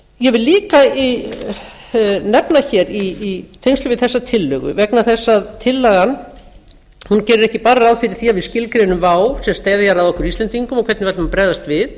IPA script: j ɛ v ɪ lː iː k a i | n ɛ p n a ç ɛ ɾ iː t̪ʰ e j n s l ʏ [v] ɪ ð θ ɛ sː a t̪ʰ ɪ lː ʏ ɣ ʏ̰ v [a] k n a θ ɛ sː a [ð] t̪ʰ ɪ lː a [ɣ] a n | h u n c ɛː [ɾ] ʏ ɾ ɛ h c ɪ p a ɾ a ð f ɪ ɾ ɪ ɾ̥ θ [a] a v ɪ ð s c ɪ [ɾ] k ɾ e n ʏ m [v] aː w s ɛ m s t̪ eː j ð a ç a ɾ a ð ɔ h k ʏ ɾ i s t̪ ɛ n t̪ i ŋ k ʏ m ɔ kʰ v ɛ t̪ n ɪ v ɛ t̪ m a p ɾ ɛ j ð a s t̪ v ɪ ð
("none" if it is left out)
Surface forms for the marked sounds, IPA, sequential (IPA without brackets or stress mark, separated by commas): v, ɛ, ð, ɣ, ɾ, i, l, v